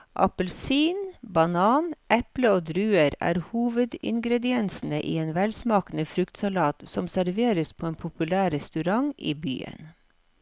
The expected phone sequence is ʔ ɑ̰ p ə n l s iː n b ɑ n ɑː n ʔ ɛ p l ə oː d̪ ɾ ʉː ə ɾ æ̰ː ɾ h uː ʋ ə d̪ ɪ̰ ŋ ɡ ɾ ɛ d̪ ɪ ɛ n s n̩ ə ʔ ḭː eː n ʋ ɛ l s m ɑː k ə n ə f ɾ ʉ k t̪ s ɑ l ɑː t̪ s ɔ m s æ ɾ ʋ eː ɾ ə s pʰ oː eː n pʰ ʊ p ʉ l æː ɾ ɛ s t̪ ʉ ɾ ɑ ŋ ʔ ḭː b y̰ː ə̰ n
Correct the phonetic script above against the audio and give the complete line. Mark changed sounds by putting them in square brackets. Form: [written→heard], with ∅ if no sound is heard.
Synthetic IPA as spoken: ʔ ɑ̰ p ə [n→∅] l s iː n b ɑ n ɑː n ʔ ɛ p l ə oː d̪ ɾ ʉː ə ɾ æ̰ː ɾ h uː ʋ ə d̪ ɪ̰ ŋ ɡ ɾ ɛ d̪ ɪ ɛ n s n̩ ə ʔ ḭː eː n ʋ ɛ l s m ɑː k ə n ə f ɾ ʉ k t̪ s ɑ l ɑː t̪ s ɔ m s æ ɾ ʋ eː ɾ ə s pʰ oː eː n pʰ ʊ p ʉ l æː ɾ ɛ s t̪ ʉ ɾ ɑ ŋ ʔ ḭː b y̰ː ə̰ n

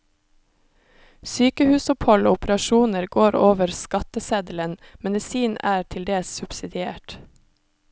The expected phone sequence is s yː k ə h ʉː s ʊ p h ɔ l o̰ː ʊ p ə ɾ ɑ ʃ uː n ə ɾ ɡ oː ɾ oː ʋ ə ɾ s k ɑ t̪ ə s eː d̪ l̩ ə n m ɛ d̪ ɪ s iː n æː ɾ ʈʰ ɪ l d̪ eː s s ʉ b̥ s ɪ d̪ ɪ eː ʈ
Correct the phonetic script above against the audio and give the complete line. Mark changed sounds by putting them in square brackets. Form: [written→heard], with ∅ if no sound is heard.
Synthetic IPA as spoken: s yː k ə h ʉː s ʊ p h ɔ l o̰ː ʊ p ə ɾ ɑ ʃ uː n ə ɾ ɡ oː ɾ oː ʋ ə ɾ s k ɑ t̪ ə s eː d̪ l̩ ə n m ɛ d̪ ɪ s iː n æː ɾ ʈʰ ɪ l d̪ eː s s ʉ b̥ s ɪ d̪ ɪ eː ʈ

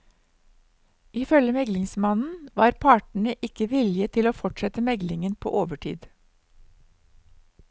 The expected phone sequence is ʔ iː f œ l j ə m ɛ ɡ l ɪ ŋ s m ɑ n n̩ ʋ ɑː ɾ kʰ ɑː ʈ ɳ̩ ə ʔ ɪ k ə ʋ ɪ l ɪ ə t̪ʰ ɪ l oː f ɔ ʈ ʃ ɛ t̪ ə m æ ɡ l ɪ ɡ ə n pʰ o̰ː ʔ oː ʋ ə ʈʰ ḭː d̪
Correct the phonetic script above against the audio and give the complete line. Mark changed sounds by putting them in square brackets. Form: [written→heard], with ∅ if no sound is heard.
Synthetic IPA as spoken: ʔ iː f œ l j ə m ɛ ɡ l ɪ ŋ s m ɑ n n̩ ʋ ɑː ɾ [kʰ→pʰ] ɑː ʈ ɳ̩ ə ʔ ɪ k ə ʋ ɪ l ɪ ə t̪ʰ ɪ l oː f ɔ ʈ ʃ ɛ t̪ ə m [æ→ɛ] ɡ l ɪ [ɡ→ŋ] ə n pʰ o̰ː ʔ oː ʋ ə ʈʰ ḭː d̪

